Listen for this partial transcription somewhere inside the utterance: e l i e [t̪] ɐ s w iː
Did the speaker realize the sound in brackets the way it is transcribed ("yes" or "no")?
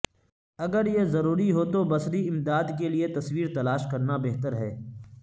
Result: yes